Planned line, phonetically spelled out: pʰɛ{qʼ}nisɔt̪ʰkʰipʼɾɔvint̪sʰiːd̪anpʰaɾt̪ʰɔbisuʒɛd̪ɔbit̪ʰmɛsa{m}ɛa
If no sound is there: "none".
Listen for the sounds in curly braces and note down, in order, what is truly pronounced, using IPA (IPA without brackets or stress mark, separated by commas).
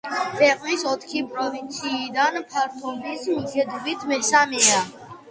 qʼ, m